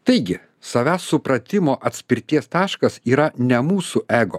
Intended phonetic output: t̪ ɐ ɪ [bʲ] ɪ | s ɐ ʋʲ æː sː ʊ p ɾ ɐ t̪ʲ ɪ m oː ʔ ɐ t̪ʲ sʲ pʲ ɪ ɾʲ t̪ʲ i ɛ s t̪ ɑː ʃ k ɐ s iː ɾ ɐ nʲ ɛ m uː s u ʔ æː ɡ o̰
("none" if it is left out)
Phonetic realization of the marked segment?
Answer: ɡʲ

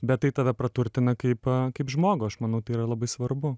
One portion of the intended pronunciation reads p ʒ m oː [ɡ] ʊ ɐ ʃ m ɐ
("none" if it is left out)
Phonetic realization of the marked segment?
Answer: ɡ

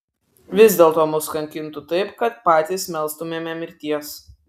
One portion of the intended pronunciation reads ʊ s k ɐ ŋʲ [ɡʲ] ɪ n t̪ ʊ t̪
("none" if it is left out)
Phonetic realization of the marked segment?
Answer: kʲ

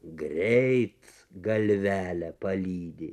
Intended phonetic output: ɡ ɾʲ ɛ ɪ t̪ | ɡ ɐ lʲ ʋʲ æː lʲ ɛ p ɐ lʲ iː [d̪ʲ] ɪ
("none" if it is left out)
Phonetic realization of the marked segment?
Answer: d̪ʲ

